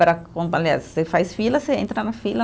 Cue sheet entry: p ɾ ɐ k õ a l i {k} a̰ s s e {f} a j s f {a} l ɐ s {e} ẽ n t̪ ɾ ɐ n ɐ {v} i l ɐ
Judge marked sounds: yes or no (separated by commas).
no, yes, no, yes, no